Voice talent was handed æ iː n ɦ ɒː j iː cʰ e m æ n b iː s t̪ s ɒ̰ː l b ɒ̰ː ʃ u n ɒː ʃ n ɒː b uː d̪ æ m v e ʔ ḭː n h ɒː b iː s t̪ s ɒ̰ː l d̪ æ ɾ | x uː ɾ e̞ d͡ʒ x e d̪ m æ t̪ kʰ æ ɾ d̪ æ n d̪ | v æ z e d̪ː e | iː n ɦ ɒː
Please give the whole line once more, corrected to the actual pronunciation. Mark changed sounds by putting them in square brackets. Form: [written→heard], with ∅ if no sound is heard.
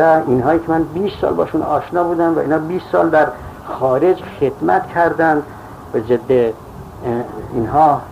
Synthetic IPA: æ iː n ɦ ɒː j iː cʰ e m æ n b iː s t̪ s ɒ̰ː l b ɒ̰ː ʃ u n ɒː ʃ n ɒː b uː d̪ æ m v [e→æ] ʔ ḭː n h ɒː b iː s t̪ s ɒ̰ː l d̪ æ ɾ | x [uː→ɒː] ɾ e̞ d͡ʒ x e d̪ m æ t̪ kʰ æ ɾ d̪ æ n d̪ | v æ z e d̪ː e | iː n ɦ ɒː